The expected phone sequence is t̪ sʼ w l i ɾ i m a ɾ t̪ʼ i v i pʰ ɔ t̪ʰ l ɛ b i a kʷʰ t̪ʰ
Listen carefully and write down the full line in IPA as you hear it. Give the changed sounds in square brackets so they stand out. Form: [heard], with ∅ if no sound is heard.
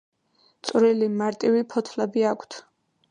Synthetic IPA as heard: t̪ sʼ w [ɾ] i [l] i m a ɾ t̪ʼ i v i pʰ ɔ t̪ʰ l ɛ b i a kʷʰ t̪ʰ